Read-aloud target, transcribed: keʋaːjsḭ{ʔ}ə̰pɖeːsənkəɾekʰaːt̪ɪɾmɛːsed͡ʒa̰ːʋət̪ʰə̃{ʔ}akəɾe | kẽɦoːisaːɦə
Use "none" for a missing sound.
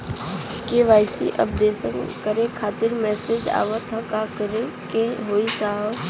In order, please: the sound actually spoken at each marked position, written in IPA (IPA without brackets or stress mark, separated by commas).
ʔ, k